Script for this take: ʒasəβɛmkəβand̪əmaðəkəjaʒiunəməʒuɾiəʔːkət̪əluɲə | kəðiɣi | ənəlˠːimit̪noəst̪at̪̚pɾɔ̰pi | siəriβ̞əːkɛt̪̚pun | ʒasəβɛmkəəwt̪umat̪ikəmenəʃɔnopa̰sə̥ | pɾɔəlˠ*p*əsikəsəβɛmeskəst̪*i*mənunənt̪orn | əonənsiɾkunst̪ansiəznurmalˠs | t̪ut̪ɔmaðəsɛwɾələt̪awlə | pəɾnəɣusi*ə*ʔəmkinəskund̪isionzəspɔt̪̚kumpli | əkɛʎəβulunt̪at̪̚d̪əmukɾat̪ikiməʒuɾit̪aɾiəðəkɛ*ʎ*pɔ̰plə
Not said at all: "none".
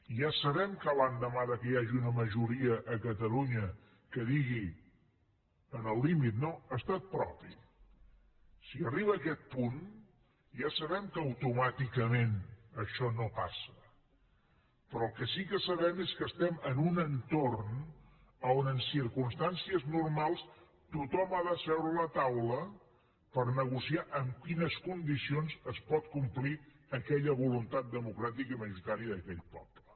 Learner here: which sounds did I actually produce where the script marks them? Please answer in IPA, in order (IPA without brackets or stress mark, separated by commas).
k, ɛ, a, ʎ